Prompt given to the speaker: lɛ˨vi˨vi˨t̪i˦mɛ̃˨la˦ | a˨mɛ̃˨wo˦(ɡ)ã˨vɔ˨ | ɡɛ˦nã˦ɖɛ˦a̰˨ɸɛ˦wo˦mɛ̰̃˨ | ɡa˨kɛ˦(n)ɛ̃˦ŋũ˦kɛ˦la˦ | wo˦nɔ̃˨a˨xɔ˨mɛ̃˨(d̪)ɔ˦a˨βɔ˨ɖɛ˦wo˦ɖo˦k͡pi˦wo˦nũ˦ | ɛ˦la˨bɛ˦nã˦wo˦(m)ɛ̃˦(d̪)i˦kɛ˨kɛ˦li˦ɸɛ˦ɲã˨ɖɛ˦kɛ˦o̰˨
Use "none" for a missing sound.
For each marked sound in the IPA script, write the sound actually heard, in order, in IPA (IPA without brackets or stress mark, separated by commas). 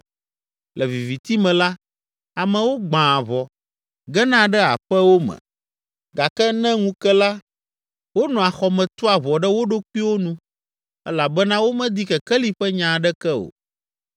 ɡ͡b, n, t̪, m, d̪